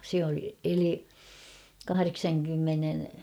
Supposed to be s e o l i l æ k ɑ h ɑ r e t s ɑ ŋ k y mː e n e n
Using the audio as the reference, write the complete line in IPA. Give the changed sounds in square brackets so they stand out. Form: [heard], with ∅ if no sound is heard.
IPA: s e o l [e] l [i] k ɑ h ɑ r e [k] s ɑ ŋ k y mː e n e n